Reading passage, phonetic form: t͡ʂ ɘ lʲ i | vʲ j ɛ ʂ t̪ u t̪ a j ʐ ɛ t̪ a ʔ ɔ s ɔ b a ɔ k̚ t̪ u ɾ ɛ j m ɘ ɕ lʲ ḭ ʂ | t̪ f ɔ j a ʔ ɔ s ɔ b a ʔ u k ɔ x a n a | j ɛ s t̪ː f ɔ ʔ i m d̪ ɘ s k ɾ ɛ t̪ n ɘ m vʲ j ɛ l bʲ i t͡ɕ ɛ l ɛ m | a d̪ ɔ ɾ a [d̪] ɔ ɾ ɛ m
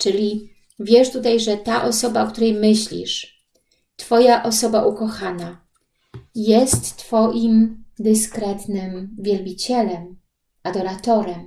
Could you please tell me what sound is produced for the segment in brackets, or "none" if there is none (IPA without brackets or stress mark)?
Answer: t̪